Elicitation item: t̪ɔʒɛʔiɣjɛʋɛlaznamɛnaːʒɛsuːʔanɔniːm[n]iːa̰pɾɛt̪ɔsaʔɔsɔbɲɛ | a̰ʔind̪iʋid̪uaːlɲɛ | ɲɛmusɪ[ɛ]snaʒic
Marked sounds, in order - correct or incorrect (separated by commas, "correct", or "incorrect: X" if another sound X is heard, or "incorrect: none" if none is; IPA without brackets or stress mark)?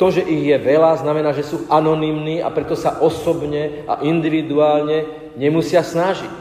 correct, incorrect: a